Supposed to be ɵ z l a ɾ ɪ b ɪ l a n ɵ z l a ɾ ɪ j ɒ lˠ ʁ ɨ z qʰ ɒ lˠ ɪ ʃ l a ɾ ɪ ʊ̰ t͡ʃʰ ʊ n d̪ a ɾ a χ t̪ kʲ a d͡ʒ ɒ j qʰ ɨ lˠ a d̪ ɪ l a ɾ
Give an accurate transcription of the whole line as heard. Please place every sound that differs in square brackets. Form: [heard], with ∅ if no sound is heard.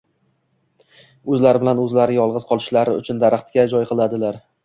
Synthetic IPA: ɵ z l a ɾ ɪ b ɪ l a n ɵ z l a ɾ ɪ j ɒ lˠ ʁ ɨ z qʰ ɒ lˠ ɪ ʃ l a ɾ ɪ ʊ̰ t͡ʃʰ ʊ n d̪ a ɾ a χ t̪ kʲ a d͡ʒ ɒ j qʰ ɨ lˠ a d̪ ɪ l a ɾ